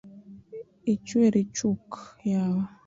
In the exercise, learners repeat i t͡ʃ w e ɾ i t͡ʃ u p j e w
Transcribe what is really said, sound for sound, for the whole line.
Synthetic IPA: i t͡ʃ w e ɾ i t͡ʃ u k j a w